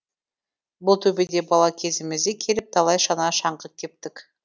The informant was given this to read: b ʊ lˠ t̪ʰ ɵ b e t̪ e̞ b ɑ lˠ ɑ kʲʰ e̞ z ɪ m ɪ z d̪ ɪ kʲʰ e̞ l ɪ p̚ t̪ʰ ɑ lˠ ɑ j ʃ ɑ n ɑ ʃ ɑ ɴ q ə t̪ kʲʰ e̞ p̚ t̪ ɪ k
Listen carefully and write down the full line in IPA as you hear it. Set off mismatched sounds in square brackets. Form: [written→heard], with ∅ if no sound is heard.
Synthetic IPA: b ʊ lˠ t̪ʰ ɵ b e [t̪→d̪] e̞ b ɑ lˠ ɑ kʲʰ e̞ z ɪ m ɪ z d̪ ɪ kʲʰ e̞ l ɪ p̚ t̪ʰ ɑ lˠ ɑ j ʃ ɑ n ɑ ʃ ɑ ɴ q ə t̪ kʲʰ e̞ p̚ t̪ ɪ k